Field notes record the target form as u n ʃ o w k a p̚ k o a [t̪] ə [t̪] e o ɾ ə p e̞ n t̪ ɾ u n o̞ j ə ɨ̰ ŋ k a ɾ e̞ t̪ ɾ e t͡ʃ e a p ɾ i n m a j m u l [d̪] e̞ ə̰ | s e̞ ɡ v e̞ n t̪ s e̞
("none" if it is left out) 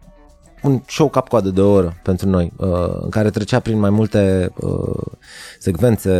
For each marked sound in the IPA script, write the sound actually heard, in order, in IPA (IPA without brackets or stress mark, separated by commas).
d̪, d̪, t̪